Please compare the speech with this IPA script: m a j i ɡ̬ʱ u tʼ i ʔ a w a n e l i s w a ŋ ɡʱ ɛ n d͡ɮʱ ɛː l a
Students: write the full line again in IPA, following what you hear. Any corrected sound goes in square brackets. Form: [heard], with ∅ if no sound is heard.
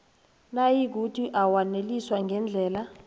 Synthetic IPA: [n] a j i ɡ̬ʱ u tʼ i ʔ a w a n e l i s w a ŋ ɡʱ ɛ n d͡ɮʱ ɛː l a